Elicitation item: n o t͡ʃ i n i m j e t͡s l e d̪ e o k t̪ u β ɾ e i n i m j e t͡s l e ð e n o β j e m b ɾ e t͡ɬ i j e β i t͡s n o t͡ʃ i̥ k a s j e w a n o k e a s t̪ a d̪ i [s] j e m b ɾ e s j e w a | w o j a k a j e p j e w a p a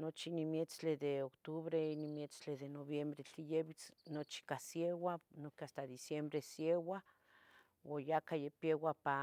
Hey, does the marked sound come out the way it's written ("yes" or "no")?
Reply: yes